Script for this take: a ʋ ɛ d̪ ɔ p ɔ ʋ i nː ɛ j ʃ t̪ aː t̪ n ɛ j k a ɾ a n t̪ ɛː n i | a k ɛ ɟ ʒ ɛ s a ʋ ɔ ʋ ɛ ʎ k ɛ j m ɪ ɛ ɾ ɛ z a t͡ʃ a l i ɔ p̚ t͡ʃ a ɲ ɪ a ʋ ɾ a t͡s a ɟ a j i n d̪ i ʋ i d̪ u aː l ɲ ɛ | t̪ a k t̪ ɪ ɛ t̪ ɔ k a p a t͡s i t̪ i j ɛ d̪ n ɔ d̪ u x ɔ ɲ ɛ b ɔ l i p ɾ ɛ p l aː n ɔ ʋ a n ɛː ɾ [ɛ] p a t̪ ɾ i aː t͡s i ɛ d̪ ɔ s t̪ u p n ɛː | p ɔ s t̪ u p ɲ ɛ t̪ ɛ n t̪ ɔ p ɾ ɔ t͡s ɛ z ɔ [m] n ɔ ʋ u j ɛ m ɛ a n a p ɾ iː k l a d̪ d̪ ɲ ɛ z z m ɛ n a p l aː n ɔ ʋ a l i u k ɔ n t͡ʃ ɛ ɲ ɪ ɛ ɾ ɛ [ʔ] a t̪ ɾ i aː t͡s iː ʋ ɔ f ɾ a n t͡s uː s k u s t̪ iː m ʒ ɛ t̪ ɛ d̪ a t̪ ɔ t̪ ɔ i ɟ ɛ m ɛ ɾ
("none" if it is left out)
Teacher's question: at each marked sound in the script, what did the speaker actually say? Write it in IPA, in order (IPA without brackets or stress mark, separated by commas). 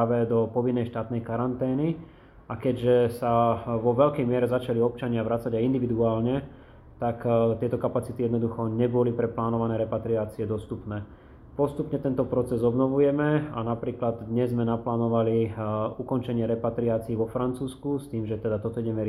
ɛ, b, p